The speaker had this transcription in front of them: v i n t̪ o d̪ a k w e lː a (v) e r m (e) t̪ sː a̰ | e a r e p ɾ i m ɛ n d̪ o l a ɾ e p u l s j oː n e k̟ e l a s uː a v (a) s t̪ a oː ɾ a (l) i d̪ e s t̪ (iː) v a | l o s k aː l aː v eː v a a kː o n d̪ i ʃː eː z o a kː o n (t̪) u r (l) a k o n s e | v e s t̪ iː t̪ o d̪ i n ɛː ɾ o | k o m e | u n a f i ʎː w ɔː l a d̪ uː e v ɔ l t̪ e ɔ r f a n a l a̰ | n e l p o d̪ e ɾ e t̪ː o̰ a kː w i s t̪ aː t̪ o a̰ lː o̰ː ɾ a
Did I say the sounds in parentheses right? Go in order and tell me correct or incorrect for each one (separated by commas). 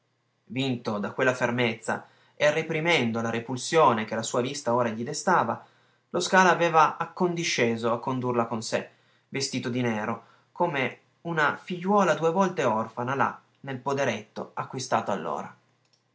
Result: incorrect, correct, incorrect, incorrect, incorrect, incorrect, correct